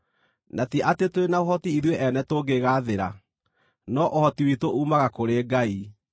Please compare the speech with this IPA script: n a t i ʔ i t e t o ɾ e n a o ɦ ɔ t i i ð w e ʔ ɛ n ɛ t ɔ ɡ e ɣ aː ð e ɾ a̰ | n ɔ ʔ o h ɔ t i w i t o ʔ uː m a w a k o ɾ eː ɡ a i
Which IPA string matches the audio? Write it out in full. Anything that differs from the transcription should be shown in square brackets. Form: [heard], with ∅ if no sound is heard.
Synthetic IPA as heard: n a t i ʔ [a] t e t o ɾ e n a o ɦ ɔ t i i ð w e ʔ ɛ n ɛ t [o] ɡ e ɣ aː ð e ɾ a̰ | n ɔ ʔ o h ɔ t i w i t o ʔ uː m a [ɣ] a k o ɾ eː ɡ a i

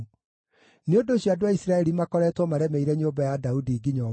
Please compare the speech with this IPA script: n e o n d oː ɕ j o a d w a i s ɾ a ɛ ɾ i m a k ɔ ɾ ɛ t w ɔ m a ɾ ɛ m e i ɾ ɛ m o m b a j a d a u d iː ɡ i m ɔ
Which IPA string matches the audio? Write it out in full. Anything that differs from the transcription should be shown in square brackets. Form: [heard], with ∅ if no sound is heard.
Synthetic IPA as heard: n e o n d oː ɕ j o a d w a i s ɾ a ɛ ɾ i m a k ɔ ɾ ɛ t w ɔ m a ɾ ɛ m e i ɾ ɛ [ɲ] o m b a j a d a u d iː ɡ i [ɲ] ɔ

